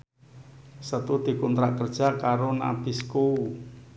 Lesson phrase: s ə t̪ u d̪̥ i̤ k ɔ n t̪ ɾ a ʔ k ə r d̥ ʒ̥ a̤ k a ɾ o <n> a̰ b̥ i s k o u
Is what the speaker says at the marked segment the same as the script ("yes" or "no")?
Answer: yes